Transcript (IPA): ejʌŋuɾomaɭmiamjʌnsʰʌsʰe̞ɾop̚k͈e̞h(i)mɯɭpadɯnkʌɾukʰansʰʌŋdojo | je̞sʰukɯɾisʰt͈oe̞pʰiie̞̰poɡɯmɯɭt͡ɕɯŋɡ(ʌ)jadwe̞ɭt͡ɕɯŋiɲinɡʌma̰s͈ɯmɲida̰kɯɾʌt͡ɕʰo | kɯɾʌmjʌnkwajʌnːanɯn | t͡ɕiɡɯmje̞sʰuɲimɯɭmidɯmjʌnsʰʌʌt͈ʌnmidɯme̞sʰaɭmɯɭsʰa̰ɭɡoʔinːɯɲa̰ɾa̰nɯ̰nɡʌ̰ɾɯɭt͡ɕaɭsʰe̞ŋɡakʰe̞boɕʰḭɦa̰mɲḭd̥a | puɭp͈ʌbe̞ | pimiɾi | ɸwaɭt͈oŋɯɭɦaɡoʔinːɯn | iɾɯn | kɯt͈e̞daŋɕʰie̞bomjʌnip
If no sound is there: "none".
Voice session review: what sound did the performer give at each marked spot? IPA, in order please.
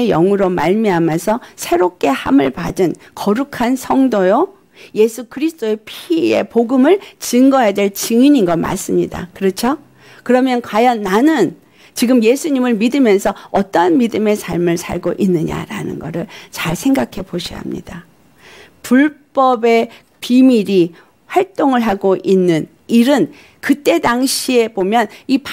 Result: a, ʌ

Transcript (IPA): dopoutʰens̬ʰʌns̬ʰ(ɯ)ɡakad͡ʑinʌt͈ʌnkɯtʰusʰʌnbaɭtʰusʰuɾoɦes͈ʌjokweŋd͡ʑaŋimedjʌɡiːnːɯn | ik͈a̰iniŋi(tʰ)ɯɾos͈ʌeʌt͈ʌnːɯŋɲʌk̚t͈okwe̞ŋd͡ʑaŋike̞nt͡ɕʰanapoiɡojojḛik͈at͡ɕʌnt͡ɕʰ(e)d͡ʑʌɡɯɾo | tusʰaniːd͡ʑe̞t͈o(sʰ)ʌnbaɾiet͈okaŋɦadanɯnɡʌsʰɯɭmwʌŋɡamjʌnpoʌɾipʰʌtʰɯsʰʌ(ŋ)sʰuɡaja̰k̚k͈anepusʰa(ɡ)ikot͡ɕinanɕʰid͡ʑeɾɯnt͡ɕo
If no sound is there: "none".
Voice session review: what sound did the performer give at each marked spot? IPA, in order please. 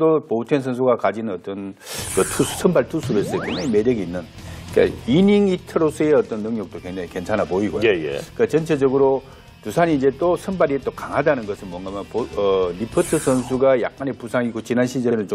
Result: u, tʰ, e, sʰ, n, ŋ

